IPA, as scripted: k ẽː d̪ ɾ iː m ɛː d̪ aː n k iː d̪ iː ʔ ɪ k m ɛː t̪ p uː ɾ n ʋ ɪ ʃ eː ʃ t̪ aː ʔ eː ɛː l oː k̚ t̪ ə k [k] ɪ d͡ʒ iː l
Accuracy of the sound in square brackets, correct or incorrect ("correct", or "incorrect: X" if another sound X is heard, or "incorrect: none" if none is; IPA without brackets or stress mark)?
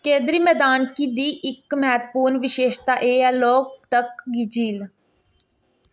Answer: incorrect: ɡ